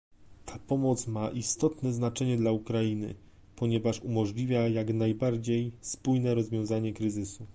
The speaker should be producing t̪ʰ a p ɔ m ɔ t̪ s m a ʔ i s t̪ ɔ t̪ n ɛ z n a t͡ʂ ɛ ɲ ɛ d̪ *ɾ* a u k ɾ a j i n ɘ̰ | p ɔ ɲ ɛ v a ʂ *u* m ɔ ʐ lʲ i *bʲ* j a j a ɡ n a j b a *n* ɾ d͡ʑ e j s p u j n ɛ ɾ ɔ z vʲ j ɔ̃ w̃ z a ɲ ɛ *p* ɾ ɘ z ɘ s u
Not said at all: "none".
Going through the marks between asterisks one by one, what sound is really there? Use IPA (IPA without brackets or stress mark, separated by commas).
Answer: l, u, vʲ, none, k